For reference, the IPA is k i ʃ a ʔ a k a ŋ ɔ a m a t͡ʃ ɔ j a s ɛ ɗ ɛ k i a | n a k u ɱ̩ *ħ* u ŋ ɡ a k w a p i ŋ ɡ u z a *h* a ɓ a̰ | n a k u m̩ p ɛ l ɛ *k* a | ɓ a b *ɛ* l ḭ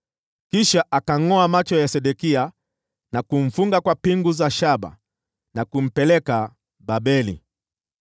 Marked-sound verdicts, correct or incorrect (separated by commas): incorrect, incorrect, correct, correct